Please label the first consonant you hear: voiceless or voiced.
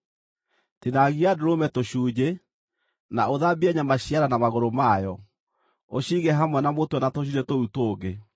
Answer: voiceless